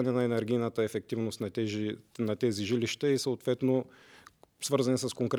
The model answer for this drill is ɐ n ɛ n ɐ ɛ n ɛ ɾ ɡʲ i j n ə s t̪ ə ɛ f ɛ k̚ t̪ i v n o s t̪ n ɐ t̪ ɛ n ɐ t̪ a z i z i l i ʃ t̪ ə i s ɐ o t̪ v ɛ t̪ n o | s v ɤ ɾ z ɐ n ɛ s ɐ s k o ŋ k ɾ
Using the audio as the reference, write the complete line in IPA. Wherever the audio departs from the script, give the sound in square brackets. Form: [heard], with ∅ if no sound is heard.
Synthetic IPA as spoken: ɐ n ɛ n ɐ ɛ n ɛ ɾ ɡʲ i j n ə [∅] t̪ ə ɛ f ɛ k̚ t̪ i v n o s t̪ n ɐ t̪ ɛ n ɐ t̪ [ɛ] z i [ʒ] i l i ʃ t̪ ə i s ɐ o t̪ v ɛ t̪ n o | s v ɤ ɾ z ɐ n ɛ s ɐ s k o ŋ k ɾ